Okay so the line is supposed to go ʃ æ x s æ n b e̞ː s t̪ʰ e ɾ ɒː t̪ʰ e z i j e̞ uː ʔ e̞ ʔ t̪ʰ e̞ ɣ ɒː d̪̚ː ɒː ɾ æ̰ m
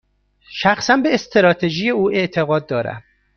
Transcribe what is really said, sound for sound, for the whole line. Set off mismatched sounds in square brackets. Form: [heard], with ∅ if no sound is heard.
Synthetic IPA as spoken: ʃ æ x s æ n b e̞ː s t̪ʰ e ɾ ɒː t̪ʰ e [ʒ] i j e̞ uː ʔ e̞ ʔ t̪ʰ e̞ ɣ ɒː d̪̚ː ɒː ɾ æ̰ m